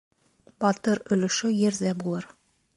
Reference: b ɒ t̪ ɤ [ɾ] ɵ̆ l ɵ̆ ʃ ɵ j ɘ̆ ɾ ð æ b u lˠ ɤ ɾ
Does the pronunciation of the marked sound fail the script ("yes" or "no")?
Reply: no